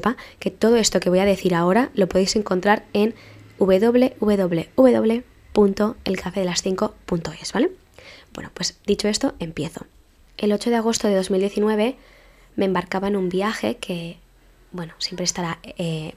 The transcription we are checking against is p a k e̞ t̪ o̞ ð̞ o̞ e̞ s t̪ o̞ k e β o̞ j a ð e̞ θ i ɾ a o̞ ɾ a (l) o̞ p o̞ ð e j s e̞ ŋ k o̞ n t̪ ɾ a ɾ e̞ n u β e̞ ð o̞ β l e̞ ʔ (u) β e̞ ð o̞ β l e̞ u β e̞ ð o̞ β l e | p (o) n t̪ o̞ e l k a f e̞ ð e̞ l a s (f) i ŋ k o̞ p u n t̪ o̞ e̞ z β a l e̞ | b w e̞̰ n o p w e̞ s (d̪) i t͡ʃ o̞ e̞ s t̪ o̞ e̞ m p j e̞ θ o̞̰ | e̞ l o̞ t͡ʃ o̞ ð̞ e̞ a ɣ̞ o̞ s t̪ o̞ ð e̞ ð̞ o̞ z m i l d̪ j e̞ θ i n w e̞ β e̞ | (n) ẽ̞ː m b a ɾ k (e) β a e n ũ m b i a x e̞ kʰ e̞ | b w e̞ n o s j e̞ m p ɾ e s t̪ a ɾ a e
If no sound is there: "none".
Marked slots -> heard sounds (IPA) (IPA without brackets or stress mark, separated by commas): l, u, u, θ, d̪, m, a